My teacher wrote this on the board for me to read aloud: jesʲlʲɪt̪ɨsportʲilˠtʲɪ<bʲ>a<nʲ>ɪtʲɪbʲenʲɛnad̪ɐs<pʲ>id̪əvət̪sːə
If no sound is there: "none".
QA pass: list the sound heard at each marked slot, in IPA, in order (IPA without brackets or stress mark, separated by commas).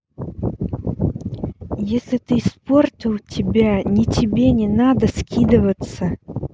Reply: bʲ, nʲ, kʲ